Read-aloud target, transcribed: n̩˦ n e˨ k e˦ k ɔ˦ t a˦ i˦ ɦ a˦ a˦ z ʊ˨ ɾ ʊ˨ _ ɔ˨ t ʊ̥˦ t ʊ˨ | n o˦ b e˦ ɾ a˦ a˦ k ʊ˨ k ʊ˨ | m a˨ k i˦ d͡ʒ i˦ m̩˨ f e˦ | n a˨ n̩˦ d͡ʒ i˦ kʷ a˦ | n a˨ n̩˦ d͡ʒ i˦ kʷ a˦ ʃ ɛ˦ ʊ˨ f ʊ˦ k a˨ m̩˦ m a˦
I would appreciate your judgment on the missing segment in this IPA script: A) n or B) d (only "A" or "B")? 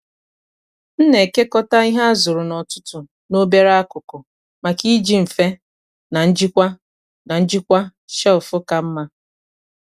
A